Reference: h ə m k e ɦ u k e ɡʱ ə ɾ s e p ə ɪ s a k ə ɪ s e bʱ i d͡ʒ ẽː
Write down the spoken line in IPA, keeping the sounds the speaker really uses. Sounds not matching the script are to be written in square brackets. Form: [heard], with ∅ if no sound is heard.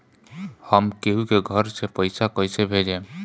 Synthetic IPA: h ə m k e ɦ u k e ɡʱ ə ɾ s e p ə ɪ s a k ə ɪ s e bʱ [e] d͡ʒ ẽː

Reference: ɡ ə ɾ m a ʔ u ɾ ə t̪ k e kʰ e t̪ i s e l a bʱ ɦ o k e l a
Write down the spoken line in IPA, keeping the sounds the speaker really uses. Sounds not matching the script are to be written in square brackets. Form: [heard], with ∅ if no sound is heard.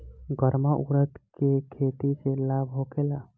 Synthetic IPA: ɡ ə ɾ m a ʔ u ɾ ə t̪ k e kʰ e t̪ i s e l a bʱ ɦ o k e l a

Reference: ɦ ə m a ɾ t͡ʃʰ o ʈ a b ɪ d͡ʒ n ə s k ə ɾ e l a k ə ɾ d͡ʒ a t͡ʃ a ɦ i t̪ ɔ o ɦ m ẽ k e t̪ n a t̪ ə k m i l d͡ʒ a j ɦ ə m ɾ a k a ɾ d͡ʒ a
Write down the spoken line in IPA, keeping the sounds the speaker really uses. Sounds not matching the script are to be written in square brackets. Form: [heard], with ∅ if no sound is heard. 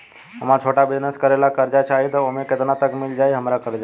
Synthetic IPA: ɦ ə m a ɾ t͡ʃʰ o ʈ a b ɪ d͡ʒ n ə s k ə ɾ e l a k ə ɾ d͡ʒ a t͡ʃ a ɦ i t̪ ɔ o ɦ m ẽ k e t̪ n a t̪ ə k m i l d͡ʒ a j ɦ ə m ɾ a k [ə] ɾ d͡ʒ a

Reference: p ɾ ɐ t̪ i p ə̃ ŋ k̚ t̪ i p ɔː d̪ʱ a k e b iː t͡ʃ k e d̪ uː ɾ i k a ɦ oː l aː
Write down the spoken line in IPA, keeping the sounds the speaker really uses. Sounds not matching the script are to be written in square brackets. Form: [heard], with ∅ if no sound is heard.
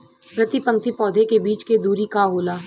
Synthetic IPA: p ɾ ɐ t̪ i p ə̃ ŋ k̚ t̪ i p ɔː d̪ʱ [e] k e b iː t͡ʃ k e d̪ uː ɾ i k a ɦ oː l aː

